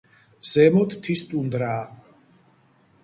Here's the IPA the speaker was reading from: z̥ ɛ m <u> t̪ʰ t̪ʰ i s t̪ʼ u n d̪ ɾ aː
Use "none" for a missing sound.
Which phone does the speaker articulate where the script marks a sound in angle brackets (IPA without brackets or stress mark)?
ɔ